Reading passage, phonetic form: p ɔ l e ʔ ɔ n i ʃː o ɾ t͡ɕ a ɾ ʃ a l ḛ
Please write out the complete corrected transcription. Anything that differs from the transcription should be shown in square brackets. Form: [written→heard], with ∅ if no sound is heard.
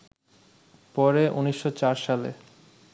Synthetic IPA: p ɔ [l→ɾ] e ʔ [ɔ→u] n i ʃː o [ɾ→∅] t͡ɕ a ɾ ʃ a l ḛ